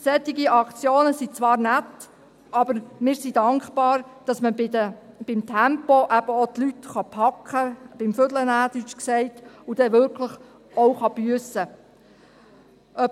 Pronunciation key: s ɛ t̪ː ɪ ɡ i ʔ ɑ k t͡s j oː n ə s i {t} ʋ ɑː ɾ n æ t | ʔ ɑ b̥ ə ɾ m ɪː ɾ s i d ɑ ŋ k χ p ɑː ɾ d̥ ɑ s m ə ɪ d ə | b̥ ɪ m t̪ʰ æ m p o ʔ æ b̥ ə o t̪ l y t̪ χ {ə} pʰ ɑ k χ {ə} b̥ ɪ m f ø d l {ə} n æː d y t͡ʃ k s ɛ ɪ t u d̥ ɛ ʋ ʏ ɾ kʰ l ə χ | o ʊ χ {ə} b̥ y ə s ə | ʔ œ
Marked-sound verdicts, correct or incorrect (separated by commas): incorrect, incorrect, correct, correct, incorrect